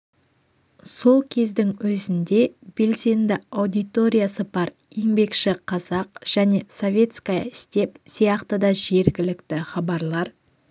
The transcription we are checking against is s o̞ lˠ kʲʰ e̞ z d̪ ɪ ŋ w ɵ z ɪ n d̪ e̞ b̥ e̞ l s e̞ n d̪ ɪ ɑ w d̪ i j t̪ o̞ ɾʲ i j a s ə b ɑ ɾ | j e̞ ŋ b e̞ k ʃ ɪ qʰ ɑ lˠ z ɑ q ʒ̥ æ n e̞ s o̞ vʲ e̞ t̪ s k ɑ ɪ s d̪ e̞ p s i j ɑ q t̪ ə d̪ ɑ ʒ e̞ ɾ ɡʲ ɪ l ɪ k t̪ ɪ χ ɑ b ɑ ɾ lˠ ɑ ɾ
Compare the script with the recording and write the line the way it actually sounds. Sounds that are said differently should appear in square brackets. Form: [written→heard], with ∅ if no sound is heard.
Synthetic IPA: s o̞ lˠ kʲʰ e̞ z d̪ ɪ ŋ w ɵ z ɪ n d̪ e̞ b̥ e̞ l s e̞ n d̪ ɪ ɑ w d̪ i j t̪ o̞ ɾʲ i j a s ə b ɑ ɾ | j e̞ ŋ b e̞ k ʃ ɪ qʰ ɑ [lˠ→∅] z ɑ q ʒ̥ æ n e̞ s o̞ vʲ e̞ t̪ s k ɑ ɪ s [d̪→t̪] e̞ p s i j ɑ q t̪ ə d̪ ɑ ʒ e̞ ɾ ɡʲ ɪ l ɪ k t̪ ɪ χ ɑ b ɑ ɾ lˠ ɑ ɾ